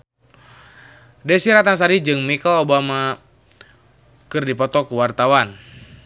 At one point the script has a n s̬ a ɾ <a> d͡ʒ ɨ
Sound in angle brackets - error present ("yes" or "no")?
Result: yes